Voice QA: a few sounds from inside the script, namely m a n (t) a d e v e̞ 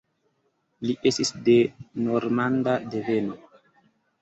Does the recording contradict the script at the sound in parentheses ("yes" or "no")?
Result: yes